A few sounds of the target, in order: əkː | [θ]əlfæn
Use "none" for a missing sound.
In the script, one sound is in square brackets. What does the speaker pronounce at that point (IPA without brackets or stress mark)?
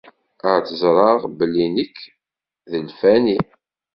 ð